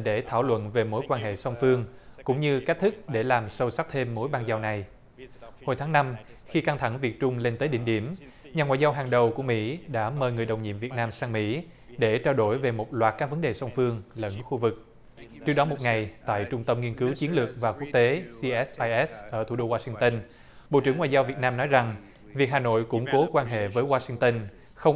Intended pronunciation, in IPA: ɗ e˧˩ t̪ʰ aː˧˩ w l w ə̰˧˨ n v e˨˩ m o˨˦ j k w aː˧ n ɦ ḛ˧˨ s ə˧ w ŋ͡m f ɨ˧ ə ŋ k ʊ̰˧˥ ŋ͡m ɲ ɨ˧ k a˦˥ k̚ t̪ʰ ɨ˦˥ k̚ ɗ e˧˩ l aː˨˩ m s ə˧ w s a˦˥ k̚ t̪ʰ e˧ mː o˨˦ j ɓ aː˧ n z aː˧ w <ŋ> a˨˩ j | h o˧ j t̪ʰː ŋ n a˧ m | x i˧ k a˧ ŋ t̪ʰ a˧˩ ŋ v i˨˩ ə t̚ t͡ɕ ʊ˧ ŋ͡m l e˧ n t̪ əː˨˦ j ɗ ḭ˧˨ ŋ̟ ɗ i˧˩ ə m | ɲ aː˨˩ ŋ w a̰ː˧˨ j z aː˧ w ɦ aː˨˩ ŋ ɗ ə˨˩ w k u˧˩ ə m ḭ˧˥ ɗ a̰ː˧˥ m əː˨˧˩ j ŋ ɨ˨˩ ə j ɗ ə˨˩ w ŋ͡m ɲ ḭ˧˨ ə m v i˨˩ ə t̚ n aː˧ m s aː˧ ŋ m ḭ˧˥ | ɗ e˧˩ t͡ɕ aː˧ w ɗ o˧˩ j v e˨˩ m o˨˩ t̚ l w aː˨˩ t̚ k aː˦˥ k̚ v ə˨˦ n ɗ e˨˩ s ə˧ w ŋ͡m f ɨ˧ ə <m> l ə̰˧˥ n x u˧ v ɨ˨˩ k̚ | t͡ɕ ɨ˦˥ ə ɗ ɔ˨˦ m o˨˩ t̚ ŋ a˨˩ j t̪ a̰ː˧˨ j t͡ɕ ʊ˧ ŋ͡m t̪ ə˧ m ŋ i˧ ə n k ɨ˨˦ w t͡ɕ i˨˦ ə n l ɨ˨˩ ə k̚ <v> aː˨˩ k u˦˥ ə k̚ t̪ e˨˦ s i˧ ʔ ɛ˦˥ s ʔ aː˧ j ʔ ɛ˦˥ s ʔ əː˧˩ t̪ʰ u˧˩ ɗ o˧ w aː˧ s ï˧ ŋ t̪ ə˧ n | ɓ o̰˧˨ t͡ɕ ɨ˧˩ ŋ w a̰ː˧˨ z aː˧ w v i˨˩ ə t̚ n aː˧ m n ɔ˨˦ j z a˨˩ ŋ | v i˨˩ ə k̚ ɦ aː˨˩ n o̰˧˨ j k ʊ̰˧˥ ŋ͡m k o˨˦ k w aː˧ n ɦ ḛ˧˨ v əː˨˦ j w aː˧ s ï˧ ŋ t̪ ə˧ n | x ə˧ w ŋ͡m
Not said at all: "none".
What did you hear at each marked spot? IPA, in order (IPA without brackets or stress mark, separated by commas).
n, ŋ, v